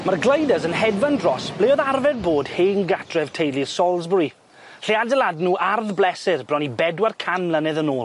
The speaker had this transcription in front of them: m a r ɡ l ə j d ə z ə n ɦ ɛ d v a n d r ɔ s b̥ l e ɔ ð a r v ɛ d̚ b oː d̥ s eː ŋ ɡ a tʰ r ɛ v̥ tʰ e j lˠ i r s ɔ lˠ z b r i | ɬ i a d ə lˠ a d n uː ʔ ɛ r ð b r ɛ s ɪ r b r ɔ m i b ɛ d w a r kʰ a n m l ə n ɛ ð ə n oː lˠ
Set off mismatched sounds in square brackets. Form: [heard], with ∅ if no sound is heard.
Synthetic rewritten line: m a r ɡ l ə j d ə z ə n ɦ ɛ d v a n d r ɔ s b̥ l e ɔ ð a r v ɛ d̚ b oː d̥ [h] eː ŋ ɡ a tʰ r ɛ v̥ tʰ e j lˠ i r s ɔ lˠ z b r i | ɬ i a d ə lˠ a d n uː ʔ [a] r ð b [l] ɛ s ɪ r b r ɔ [n] i b ɛ d w a r kʰ a n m l ə n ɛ ð ə n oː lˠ